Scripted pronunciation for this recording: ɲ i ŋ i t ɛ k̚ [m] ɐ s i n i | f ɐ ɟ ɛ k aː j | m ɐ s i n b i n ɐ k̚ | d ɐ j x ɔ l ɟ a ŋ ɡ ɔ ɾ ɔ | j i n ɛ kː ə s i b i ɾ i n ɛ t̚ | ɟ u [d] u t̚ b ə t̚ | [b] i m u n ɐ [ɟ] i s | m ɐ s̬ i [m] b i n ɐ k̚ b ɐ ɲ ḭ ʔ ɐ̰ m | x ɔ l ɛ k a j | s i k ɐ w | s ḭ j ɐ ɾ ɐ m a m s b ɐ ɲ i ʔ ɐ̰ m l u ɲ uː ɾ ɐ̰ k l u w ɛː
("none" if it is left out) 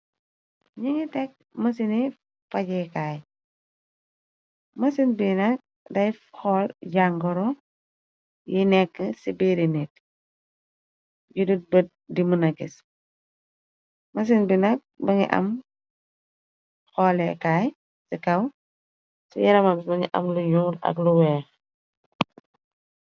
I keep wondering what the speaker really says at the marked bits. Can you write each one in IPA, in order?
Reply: m, d, d, ɡ, n

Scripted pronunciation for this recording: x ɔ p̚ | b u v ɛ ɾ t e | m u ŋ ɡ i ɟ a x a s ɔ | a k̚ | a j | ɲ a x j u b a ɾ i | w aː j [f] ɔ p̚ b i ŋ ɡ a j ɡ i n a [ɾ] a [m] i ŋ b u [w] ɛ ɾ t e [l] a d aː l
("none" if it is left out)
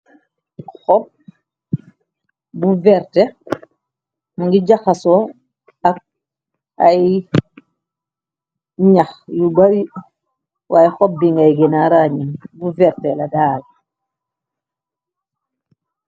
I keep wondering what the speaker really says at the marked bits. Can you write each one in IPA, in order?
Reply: x, ɾ, ɲ, v, l

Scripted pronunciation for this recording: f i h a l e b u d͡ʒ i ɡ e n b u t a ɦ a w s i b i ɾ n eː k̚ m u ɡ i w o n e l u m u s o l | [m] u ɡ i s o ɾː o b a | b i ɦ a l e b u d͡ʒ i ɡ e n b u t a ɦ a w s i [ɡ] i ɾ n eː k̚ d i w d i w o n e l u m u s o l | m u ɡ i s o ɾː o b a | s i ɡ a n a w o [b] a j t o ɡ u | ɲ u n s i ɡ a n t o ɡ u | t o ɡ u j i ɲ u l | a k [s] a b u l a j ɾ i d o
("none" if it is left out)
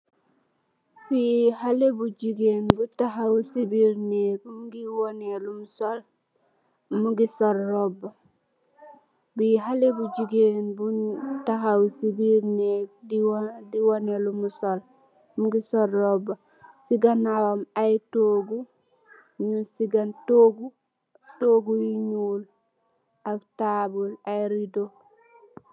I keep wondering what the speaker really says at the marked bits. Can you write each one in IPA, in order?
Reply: m, b, m, t

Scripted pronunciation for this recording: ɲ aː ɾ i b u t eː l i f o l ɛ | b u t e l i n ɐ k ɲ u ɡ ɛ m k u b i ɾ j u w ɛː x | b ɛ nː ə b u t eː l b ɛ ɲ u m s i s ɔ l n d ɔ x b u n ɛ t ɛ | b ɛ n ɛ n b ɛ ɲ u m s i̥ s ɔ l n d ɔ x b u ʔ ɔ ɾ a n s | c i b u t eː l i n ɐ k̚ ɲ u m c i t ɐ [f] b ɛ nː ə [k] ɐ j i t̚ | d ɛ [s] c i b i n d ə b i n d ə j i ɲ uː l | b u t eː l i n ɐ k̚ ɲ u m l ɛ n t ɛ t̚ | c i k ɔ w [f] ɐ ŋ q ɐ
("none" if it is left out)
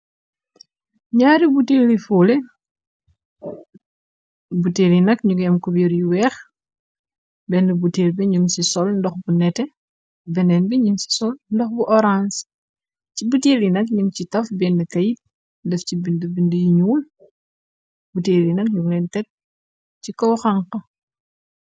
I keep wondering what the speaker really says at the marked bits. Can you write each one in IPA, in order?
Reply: f, k, f, x

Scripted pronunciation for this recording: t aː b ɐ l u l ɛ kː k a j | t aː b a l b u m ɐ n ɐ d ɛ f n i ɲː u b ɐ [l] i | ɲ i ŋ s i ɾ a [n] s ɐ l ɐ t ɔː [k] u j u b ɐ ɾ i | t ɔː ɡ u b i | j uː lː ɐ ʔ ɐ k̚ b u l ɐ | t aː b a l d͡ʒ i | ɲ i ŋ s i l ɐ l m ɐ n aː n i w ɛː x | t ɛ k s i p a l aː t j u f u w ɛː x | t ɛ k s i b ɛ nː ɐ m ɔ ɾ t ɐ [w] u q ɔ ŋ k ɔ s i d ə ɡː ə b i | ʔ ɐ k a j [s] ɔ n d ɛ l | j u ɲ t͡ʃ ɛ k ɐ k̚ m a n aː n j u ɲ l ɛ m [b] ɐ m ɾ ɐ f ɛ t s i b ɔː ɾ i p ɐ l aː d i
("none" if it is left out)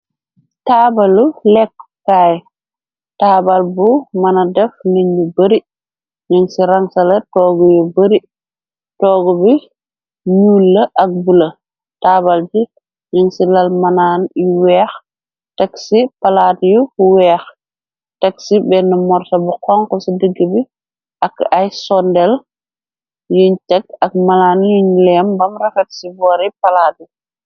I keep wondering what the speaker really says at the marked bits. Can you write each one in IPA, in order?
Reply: ɾ, ŋ, ɡ, b, s, b

